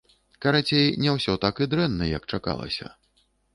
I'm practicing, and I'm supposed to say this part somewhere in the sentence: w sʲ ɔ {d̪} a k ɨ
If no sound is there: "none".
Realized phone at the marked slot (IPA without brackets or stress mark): t̪